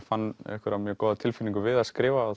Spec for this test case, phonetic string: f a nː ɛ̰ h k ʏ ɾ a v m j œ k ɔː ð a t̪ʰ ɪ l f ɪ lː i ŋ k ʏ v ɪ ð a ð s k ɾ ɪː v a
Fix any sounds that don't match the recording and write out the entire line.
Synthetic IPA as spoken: f a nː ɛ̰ h k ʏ ɾ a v m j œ k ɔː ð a t̪ʰ ɪ l f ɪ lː i ŋ k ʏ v ɪ ð a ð s k ɾ ɪː v a